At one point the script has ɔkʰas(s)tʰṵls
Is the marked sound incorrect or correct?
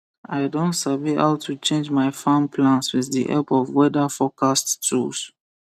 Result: incorrect: t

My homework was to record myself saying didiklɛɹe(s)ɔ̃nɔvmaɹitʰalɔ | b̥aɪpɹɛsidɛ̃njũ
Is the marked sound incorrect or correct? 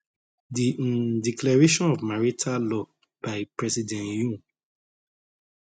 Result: incorrect: ʃ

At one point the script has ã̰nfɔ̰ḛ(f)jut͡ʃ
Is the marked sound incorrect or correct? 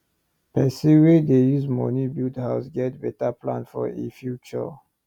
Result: correct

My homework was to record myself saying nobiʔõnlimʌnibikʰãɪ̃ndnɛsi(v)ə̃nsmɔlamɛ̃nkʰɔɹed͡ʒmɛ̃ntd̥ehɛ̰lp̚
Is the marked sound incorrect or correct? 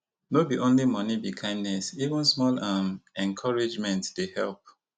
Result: correct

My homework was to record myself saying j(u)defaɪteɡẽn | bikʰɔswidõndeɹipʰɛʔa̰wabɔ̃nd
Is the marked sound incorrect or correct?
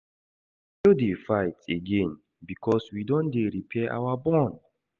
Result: incorrect: o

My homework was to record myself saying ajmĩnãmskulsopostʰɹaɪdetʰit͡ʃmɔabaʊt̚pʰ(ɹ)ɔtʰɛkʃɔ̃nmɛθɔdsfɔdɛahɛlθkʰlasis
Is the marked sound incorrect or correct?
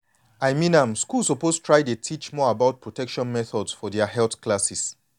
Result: correct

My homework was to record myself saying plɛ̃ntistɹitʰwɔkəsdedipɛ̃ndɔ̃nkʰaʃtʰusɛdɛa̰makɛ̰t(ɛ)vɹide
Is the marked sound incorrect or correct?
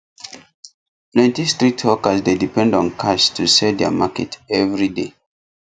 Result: correct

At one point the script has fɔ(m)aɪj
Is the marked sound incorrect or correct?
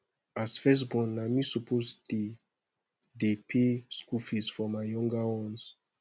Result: correct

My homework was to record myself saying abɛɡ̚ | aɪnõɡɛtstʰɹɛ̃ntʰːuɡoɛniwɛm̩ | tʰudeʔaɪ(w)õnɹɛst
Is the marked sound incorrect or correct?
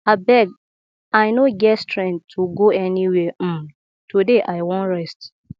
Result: correct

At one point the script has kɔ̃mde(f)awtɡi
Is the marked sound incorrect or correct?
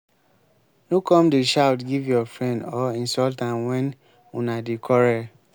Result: incorrect: ʃ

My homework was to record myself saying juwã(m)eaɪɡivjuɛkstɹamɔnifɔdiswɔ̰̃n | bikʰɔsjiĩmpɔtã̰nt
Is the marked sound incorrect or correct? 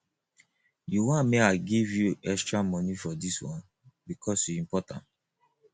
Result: correct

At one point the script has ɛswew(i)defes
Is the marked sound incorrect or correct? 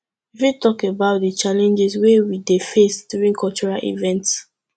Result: correct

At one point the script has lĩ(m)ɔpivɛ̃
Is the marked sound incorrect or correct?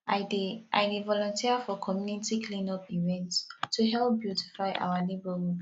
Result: incorrect: n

